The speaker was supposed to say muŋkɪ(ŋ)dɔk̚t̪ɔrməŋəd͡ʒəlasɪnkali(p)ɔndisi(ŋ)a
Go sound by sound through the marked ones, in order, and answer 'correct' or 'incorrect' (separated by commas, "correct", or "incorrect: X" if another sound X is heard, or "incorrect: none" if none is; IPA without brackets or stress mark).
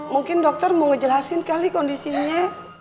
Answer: incorrect: n, incorrect: k, incorrect: ɲ